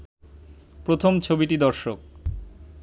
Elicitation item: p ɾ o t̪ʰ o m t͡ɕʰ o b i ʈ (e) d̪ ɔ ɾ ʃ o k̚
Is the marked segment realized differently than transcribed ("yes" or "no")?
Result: yes